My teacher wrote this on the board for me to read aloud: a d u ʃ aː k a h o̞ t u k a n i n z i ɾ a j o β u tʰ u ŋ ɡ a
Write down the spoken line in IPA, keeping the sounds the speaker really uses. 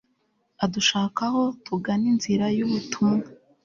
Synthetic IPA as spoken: a d u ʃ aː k a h o̞ t u ɡ a n i n z i ɾ a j u β u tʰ u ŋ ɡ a